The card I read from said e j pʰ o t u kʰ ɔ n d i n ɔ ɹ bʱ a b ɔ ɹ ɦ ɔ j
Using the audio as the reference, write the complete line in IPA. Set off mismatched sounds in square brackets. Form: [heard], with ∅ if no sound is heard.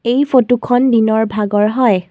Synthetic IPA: e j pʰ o t u kʰ ɔ n d i n ɔ ɹ bʱ a [ɡ] ɔ ɹ ɦ ɔ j